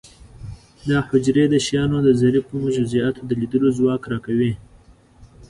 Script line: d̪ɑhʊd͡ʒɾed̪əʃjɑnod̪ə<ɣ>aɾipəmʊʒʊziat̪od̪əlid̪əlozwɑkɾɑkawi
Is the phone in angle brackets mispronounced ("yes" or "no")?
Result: yes